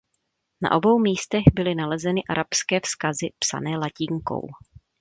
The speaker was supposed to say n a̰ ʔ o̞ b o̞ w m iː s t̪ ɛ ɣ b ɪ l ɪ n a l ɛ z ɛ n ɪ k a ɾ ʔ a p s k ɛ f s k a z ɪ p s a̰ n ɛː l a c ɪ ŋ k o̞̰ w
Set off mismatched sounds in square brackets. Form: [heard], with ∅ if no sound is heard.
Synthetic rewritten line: n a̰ ʔ o̞ b o̞ w m iː s t̪ ɛ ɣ b ɪ l ɪ n a l ɛ z ɛ n ɪ [ʔ] a ɾ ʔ a p s k [ɛː] f s k a z ɪ p s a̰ n ɛː l a c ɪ ŋ k o̞̰ w

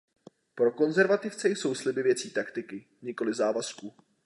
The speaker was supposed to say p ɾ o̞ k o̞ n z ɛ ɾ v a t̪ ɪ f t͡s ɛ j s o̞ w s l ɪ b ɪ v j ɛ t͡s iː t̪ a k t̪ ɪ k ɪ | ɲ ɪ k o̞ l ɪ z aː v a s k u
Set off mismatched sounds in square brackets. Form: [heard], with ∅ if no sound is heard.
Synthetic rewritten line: p ɾ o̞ k o̞ n z ɛ ɾ v a t̪ ɪ f t͡s ɛ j s o̞ w s l ɪ b ɪ v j ɛ t͡s iː t̪ a k t̪ ɪ k ɪ | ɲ ɪ k o̞ l ɪ z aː v a s k u

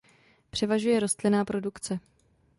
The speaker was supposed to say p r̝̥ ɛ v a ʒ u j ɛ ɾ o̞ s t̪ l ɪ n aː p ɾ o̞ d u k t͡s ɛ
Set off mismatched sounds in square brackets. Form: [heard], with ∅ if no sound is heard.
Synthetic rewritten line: p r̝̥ ɛ v a ʒ u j ɛ ɾ o̞ s t̪ l ɪ n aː p ɾ o̞ d u k t͡s ɛ

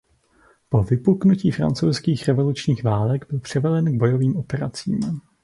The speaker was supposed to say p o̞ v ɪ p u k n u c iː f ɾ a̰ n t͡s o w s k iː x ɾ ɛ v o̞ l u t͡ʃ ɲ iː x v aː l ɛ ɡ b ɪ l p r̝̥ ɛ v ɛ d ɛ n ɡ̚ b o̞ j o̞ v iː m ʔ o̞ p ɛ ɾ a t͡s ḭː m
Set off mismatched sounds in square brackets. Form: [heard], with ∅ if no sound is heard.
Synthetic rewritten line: p o̞ v ɪ p u k n u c iː f ɾ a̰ n t͡s o w s k iː x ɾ ɛ v o̞ l u t͡ʃ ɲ iː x v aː l ɛ ɡ b ɪ l p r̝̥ ɛ v ɛ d ɛ n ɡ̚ b o̞ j o̞ v iː m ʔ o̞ p ɛ ɾ a t͡s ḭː m

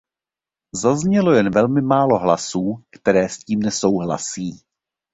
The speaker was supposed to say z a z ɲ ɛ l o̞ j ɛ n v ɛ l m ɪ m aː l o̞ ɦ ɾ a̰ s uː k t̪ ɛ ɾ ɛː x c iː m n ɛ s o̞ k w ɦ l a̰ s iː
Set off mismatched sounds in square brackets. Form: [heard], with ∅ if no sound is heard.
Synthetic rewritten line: z a z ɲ ɛ l o̞ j ɛ n v ɛ l m ɪ m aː l o̞ ɦ [l] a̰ s uː k t̪ ɛ ɾ ɛː [s] c iː m n ɛ s o̞ [∅] w ɦ l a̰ s iː

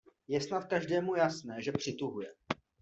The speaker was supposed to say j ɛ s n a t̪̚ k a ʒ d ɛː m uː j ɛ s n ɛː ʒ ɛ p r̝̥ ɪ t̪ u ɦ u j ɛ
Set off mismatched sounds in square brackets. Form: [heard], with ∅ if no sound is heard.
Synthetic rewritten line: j ɛ s n a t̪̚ k a ʒ d ɛː m [u] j [a] s n ɛː ʒ ɛ p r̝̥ ɪ t̪ u ɦ u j ɛ

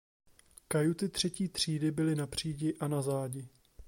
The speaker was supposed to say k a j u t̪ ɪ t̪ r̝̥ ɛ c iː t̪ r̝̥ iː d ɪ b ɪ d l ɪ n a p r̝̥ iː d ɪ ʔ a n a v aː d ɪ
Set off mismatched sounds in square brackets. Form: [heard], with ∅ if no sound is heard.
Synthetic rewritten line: k a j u t̪ ɪ t̪ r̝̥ ɛ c iː t̪ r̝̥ iː d ɪ b ɪ [∅] l ɪ n a p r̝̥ iː [ɟ] ɪ ʔ a n a [z] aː [ɟ] ɪ

